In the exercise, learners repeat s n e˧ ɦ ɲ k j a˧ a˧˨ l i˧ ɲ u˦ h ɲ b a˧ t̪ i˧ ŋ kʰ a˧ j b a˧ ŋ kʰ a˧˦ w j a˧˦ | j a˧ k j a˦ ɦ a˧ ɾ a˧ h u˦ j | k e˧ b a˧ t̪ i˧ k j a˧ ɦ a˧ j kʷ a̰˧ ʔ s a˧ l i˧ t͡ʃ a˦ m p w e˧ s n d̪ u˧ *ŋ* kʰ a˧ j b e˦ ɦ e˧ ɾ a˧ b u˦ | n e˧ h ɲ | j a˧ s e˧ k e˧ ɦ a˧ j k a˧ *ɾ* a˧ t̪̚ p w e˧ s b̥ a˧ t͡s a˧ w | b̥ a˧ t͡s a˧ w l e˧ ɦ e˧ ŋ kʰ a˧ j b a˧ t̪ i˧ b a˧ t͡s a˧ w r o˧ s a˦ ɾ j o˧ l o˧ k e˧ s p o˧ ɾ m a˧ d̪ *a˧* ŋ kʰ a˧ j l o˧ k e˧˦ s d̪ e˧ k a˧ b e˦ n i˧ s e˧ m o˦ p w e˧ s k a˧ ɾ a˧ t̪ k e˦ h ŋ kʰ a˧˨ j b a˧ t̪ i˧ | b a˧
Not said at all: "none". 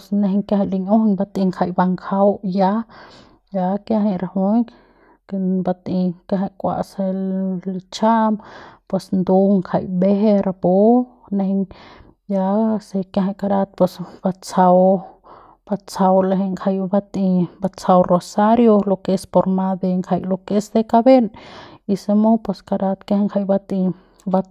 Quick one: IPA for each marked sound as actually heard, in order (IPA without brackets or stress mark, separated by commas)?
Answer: ŋ, ɾ, e˧